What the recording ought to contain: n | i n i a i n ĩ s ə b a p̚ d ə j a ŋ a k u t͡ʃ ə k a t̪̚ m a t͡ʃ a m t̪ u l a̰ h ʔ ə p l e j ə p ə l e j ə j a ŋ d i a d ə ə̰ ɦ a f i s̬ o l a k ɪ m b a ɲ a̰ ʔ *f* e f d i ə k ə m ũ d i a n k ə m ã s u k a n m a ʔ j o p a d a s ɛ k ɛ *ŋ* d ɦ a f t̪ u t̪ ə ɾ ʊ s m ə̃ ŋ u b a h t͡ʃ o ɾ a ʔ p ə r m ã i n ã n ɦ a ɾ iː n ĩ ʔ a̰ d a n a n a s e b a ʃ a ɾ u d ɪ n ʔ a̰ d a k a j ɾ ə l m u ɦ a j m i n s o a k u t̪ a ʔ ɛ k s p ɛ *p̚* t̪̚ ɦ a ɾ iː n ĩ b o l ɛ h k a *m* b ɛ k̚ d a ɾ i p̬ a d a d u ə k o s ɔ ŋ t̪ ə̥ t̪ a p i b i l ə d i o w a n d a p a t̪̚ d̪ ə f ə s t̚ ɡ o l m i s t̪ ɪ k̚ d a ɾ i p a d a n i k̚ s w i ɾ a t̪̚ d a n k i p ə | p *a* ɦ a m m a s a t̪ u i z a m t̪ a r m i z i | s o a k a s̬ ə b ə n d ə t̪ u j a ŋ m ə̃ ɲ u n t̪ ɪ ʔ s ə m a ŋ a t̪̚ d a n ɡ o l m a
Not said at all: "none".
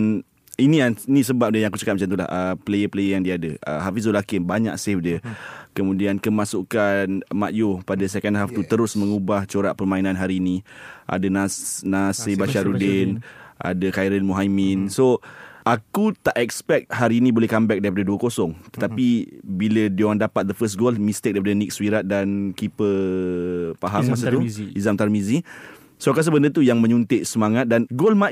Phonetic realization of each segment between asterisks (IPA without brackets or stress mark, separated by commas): s, n, k̚, m, a